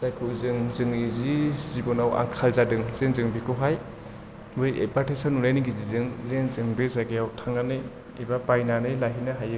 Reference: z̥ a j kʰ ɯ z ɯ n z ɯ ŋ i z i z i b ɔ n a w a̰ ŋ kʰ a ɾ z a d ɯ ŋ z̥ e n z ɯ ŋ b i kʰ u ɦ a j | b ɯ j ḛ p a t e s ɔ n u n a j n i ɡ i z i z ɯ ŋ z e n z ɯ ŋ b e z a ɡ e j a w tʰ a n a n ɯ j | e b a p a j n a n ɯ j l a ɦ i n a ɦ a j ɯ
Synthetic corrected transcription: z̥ a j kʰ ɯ z ɯ ŋ z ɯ ŋ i z i z i b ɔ n a w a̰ ŋ kʰ a l z a d ɯ ŋ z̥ e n z ɯ ŋ b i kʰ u ɦ a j | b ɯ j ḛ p a t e s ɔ n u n a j n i ɡ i z i z ɯ ŋ z e n z ɯ ŋ b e z a ɡ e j a w tʰ a ŋ a n ɯ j | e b a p a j n a n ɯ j l a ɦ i n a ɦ a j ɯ